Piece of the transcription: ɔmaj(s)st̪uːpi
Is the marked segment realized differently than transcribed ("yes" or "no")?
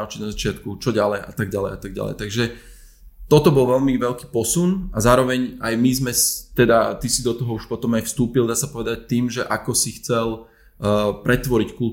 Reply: yes